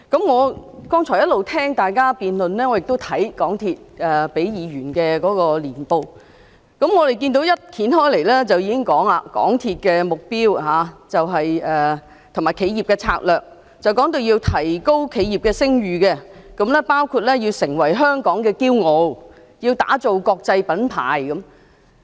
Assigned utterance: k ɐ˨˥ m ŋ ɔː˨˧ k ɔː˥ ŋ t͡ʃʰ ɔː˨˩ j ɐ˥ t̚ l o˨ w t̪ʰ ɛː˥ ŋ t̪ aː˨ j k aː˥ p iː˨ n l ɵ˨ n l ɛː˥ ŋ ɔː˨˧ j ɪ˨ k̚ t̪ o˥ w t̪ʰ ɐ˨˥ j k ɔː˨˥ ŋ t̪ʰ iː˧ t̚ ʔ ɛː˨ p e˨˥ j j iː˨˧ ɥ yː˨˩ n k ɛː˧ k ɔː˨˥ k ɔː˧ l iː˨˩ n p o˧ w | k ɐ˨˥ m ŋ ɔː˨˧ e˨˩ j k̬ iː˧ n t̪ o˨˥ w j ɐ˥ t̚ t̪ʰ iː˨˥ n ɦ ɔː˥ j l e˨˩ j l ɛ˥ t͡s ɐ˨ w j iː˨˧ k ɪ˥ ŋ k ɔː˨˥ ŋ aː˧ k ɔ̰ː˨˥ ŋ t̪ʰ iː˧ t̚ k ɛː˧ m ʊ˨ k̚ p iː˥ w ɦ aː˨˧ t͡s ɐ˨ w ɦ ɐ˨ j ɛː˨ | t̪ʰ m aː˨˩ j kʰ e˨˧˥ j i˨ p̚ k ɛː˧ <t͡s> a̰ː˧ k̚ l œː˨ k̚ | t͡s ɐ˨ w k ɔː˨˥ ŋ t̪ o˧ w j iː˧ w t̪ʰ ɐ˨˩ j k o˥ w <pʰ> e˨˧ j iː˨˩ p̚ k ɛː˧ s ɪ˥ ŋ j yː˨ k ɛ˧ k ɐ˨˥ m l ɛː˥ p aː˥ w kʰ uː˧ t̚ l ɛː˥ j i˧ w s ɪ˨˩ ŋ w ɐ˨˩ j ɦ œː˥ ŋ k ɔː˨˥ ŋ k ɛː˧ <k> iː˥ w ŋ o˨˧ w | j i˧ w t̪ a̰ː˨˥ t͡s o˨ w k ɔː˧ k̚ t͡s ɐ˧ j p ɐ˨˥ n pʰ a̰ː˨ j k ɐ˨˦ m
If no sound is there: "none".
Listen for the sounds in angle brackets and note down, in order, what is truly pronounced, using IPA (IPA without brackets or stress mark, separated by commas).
t͡sʰ, kʰ, k